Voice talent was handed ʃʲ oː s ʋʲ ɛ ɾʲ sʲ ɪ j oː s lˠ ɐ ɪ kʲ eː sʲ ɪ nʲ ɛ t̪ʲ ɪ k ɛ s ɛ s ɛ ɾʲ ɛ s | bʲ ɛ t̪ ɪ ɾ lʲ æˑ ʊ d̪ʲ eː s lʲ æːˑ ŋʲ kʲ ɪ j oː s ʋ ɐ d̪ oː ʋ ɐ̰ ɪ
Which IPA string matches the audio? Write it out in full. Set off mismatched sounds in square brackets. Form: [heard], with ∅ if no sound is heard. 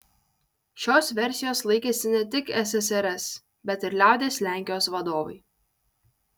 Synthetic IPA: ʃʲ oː s ʋʲ ɛ ɾʲ sʲ ɪ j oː s lˠ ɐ ɪ kʲ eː sʲ ɪ nʲ ɛ t̪ʲ ɪ k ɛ s ɛ s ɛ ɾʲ ɛ s | bʲ ɛ t̪ ɪ ɾ lʲ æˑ ʊ d̪ʲ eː s lʲ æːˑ ŋʲ kʲ ɪ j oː s ʋ ɐ d̪ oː ʋ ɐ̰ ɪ